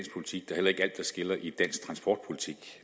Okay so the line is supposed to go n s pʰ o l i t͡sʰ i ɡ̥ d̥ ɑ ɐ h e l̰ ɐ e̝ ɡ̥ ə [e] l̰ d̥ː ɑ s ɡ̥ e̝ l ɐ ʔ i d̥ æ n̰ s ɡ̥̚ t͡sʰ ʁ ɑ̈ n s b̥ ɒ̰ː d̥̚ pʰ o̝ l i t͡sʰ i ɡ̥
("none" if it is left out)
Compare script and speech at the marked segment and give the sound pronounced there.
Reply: æ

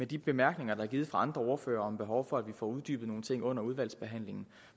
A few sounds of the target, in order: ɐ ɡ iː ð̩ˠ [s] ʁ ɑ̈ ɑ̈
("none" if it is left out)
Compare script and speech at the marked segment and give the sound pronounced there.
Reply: f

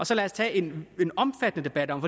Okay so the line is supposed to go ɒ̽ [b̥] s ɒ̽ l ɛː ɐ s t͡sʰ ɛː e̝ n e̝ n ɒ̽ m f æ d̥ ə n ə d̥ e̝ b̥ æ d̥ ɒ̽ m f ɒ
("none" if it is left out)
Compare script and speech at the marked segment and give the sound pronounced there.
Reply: none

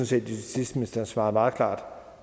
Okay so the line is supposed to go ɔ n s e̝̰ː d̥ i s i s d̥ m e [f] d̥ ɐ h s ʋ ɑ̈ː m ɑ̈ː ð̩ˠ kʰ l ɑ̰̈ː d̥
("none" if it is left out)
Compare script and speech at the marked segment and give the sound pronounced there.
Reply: s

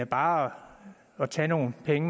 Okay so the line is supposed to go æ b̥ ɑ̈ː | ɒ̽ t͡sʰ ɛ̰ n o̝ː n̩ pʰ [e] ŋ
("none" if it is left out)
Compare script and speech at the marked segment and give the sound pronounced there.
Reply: e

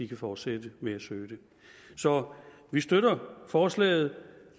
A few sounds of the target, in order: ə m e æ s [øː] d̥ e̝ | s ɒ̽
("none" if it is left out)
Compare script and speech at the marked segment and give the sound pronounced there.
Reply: øː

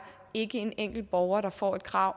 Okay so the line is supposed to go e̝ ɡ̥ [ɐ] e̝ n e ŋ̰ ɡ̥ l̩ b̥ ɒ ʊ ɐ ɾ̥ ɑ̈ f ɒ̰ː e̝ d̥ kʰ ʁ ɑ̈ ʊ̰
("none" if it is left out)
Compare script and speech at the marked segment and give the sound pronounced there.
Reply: ə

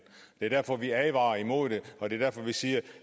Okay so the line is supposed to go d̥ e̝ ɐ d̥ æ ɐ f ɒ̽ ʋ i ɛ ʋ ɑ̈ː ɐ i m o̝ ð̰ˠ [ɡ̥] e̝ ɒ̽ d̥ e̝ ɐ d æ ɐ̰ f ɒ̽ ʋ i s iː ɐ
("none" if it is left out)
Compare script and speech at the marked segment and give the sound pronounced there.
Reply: d̥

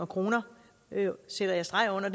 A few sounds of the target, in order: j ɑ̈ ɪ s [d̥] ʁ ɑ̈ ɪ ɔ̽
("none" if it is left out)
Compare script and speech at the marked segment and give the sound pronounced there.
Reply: d̥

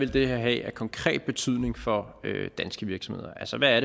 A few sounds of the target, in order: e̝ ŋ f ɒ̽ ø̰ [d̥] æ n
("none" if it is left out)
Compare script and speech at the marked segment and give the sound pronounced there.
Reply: d̥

